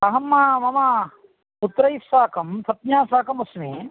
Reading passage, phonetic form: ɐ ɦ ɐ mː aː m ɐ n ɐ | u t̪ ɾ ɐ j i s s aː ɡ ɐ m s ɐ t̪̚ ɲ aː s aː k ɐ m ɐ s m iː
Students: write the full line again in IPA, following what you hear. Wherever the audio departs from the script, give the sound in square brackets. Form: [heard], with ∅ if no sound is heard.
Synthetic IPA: ɐ ɦ ɐ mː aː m ɐ [m] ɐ | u t̪ ɾ ɐ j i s s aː [k] ɐ m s ɐ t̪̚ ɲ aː s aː k ɐ m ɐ s m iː